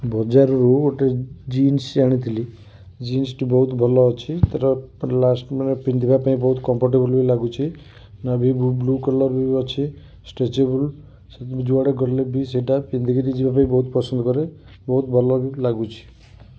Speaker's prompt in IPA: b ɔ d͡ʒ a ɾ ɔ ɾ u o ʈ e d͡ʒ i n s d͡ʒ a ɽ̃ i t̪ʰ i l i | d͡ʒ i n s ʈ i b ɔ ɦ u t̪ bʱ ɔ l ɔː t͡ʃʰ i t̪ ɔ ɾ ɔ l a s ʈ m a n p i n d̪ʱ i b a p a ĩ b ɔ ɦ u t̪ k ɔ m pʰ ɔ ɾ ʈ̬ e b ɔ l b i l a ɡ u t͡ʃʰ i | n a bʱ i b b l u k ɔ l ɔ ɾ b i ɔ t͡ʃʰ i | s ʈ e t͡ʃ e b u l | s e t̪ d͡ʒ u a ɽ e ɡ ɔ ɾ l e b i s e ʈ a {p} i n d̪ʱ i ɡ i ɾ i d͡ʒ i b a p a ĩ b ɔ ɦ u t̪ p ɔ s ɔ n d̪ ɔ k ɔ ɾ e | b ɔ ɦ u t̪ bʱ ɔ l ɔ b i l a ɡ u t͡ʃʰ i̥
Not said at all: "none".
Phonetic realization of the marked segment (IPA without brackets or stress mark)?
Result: p